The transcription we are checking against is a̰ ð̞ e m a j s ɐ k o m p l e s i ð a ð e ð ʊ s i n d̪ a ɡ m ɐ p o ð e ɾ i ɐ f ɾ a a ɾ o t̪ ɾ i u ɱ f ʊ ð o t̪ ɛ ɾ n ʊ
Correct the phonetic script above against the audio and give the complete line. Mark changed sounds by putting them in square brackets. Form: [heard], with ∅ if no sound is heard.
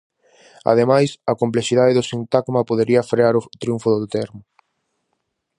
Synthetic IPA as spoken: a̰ ð̞ e m a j s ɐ k o m p l e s i ð a ð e ð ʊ s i n [t̪] a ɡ m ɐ p o ð e ɾ i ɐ f ɾ [e] a ɾ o t̪ ɾ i u ɱ f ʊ ð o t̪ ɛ ɾ [m] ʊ

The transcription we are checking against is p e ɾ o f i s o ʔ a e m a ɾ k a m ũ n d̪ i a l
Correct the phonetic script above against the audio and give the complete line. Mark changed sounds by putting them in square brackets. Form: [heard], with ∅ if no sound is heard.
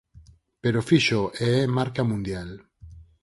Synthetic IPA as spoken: p e ɾ o f i [ʃ] o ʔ [e] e m a ɾ k a m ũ n d̪ [j] a l

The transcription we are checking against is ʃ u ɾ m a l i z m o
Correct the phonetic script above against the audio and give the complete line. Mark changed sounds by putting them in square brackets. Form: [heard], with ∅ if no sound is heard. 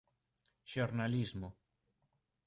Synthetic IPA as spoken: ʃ [o] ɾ [n] a l i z m o

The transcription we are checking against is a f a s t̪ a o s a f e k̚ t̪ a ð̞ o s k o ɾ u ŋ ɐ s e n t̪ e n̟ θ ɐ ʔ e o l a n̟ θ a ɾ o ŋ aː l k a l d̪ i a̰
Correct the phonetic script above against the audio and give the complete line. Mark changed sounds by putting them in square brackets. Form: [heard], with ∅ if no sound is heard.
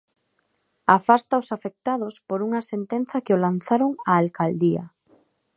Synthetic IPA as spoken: a f a s t̪ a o s a f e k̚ t̪ a ð̞ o s [p] o ɾ u ŋ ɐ s e n t̪ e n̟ θ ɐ [k] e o l a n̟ θ a ɾ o ŋ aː l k a l d̪ i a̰

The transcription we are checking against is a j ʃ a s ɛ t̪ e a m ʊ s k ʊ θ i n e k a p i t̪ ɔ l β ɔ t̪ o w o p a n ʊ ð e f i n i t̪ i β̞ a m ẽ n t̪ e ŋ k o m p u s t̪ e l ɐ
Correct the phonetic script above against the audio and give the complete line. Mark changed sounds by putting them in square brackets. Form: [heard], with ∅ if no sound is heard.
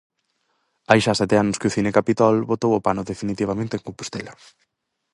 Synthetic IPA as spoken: a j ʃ a s ɛ t̪ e a [n] ʊ s k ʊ θ i n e k a p i t̪ ɔ l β [o] t̪ o w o p a n ʊ ð e f i n i t̪ i β̞ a m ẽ n t̪ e ŋ k o m p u s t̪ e l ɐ

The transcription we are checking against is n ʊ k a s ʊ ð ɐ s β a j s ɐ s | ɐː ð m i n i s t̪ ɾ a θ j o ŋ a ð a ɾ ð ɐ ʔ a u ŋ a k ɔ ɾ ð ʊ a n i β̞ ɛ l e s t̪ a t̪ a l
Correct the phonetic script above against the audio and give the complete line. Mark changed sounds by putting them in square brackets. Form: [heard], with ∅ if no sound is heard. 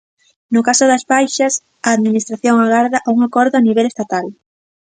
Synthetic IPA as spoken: n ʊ k a s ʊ ð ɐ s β a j [ʃ] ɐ s | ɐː ð m i n i s t̪ ɾ a θ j o ŋ a [ɣ] a ɾ ð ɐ ʔ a u ŋ a k ɔ ɾ ð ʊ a n i β̞ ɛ l e s t̪ a t̪ a l

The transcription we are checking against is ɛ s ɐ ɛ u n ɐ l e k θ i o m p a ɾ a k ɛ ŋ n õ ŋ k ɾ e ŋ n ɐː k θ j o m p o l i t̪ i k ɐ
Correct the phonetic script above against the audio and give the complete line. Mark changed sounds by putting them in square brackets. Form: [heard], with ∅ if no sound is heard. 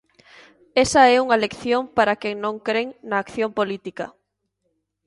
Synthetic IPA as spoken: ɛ s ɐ ɛ u [ŋ] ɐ l e k θ [j] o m p a ɾ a k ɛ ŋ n õ ŋ k ɾ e ŋ n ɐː k θ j o m p o l i t̪ i k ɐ

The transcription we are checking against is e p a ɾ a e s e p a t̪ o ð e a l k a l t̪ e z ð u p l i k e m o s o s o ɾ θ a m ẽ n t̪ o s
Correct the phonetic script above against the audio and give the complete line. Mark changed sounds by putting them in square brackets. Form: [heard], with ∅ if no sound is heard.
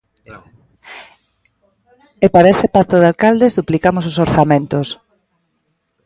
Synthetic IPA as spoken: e p a ɾ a e s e p a t̪ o ð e a l k a l [d̪] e z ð u p l i k [a] m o s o s o ɾ θ a m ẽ n t̪ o s

